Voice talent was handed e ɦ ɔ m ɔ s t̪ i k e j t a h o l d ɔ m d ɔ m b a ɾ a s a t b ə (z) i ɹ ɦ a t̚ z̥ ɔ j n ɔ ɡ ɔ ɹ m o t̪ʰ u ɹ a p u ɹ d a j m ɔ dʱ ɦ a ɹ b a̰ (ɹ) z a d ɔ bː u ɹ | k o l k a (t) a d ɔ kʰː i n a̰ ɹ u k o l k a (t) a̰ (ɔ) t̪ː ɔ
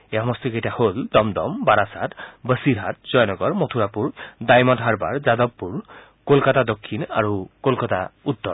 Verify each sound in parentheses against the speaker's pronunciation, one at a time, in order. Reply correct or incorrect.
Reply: incorrect, correct, correct, correct, incorrect

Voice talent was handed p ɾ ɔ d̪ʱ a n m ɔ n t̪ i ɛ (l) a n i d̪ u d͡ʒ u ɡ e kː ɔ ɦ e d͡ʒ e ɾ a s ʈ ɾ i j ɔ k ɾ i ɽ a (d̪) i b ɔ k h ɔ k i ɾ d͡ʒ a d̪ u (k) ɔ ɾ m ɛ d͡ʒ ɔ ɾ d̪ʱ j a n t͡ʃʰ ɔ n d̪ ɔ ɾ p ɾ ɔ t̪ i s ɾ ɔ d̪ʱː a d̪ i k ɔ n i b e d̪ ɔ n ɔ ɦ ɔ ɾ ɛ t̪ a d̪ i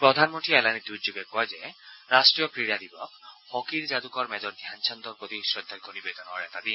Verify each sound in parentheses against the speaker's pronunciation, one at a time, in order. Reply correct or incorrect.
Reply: correct, correct, correct

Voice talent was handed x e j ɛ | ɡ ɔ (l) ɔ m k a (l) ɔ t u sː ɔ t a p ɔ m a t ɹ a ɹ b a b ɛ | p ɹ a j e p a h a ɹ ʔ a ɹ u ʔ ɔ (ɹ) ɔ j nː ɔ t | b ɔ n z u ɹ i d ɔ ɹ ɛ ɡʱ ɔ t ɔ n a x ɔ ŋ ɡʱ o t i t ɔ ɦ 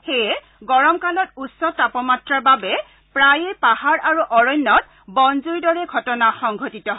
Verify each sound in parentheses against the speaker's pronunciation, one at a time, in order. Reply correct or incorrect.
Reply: incorrect, correct, correct

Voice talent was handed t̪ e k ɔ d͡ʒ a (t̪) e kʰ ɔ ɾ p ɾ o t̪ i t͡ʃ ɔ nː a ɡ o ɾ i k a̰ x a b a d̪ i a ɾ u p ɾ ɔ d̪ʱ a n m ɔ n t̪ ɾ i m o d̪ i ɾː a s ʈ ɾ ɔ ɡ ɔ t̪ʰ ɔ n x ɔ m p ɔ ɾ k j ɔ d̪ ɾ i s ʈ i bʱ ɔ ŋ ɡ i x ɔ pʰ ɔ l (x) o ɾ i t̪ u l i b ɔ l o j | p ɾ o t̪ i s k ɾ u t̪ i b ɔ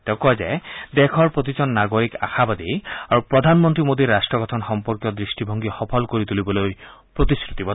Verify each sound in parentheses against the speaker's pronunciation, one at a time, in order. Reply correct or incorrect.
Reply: incorrect, incorrect

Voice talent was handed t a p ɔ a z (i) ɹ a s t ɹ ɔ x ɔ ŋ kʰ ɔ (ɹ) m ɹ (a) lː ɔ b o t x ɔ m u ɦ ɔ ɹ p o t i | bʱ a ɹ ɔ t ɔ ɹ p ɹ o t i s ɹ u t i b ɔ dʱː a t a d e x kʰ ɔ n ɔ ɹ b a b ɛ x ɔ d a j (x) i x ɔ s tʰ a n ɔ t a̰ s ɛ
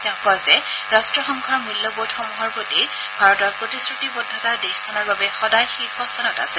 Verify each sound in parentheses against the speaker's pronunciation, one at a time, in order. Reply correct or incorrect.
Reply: incorrect, correct, incorrect, correct

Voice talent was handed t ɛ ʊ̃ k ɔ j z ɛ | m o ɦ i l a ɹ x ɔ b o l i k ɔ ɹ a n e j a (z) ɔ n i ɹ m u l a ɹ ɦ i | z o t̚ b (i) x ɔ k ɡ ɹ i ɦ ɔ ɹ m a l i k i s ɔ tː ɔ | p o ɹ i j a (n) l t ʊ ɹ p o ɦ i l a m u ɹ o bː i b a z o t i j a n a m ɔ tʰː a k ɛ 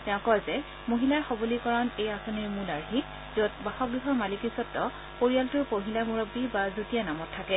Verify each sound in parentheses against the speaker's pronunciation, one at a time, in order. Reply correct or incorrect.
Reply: incorrect, incorrect, incorrect

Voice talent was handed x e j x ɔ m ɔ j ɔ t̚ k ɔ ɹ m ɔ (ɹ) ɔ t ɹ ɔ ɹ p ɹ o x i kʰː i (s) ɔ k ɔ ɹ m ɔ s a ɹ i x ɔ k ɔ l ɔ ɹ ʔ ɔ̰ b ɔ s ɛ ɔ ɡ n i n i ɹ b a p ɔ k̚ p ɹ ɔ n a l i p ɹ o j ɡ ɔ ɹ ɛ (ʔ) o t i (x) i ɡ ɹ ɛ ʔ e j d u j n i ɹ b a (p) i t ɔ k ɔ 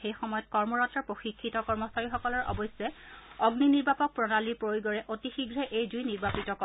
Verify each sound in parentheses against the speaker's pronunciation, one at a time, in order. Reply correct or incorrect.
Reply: correct, incorrect, correct, correct, correct

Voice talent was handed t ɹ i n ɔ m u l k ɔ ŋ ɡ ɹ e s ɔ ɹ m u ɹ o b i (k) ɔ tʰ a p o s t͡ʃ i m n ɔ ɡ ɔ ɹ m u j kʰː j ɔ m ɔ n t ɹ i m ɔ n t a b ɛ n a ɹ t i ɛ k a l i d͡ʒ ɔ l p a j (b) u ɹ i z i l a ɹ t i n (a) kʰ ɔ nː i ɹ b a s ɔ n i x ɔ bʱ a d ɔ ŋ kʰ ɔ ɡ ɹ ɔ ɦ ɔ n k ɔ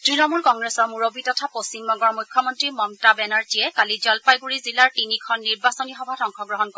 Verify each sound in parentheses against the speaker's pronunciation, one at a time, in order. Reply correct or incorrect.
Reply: incorrect, incorrect, incorrect

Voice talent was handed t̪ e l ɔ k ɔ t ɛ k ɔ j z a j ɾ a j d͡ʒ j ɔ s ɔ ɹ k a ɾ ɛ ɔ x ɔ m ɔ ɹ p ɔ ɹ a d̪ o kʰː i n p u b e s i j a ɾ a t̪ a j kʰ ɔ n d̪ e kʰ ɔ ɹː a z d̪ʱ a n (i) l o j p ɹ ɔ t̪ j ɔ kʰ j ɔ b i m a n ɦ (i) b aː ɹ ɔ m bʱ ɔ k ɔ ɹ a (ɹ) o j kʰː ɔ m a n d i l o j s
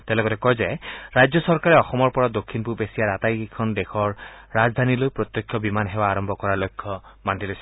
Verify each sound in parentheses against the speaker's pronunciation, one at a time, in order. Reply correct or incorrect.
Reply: correct, incorrect, incorrect

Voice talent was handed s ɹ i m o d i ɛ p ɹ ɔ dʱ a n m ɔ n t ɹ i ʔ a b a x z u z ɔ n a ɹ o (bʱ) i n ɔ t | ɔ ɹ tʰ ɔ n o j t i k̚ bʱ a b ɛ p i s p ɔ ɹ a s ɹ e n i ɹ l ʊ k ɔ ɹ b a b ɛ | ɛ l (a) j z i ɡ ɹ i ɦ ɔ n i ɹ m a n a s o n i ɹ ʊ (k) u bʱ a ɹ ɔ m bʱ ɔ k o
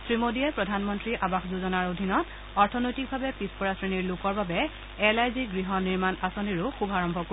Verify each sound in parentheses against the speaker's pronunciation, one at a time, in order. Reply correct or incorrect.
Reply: incorrect, correct, incorrect

